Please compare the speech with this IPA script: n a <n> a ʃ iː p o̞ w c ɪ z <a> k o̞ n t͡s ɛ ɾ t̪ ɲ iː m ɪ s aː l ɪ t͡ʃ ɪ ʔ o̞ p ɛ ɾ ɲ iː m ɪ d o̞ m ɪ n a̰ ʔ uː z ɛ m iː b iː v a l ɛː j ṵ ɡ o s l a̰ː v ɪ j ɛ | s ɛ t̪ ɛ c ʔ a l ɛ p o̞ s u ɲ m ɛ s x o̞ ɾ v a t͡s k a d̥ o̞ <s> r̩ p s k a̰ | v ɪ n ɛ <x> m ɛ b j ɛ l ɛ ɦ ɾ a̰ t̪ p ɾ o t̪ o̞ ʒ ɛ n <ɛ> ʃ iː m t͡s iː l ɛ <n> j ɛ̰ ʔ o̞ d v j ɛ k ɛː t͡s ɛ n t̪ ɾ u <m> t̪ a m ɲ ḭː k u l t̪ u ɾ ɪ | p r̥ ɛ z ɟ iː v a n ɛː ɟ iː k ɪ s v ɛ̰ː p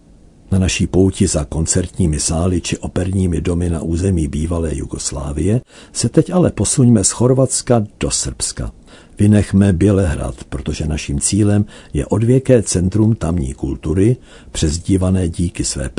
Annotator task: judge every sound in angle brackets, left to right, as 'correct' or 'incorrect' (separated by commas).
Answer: correct, correct, correct, correct, incorrect, incorrect, correct